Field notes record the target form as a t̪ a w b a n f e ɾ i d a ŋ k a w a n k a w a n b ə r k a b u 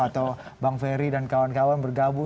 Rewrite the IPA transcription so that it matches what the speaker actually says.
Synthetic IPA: a t̪ a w b a ŋ f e ɾ i d a n k a w a n k a w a n b ə r ɡ a b u